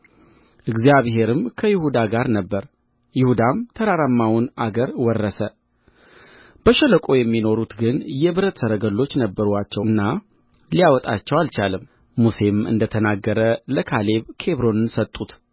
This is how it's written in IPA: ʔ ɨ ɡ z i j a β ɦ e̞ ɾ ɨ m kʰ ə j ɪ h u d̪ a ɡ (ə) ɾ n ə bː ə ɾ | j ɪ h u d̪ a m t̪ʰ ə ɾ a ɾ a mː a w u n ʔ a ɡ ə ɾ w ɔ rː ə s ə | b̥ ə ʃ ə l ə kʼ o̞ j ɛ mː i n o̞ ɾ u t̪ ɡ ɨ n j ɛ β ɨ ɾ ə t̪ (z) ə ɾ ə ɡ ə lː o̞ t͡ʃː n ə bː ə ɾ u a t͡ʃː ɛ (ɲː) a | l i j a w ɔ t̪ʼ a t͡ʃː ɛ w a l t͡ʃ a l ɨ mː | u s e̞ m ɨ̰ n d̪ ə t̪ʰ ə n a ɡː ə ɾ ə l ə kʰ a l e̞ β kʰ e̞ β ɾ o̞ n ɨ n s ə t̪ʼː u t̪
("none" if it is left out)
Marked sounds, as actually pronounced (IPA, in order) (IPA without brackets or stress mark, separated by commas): a, s, nː